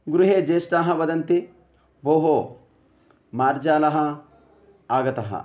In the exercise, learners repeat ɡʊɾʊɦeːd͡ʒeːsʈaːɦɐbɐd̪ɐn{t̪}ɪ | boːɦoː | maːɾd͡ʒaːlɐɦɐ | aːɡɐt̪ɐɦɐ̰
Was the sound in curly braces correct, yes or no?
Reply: yes